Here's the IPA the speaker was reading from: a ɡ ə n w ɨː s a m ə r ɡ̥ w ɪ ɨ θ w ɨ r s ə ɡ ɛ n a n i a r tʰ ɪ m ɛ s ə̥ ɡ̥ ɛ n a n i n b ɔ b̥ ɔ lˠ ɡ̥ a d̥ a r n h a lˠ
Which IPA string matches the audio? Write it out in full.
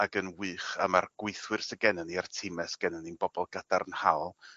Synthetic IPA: a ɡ ə n w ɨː χ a m a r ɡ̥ w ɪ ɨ θ w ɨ r s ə ɡ ɛ n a n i a r tʰ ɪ m ɛ s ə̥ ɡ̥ ɛ n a n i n b ɔ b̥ ɔ lˠ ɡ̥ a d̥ a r n h a lˠ